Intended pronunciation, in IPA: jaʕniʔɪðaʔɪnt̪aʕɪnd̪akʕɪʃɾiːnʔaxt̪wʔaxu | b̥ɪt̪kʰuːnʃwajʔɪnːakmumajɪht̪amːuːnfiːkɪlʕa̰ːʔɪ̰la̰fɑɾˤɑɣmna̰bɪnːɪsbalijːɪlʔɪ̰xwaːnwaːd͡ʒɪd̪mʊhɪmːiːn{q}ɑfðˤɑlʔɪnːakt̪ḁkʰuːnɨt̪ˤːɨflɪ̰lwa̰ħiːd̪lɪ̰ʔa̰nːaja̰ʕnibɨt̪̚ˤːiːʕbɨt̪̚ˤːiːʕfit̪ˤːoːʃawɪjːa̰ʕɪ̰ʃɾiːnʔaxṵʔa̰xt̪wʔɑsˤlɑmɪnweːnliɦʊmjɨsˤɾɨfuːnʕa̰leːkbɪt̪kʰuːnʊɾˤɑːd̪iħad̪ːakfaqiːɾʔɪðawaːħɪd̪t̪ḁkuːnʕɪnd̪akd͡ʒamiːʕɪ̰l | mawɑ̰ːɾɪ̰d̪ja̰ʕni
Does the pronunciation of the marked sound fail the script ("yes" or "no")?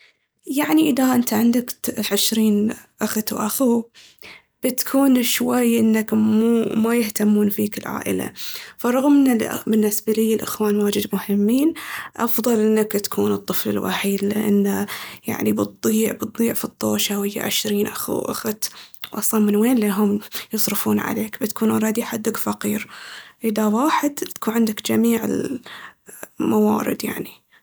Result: yes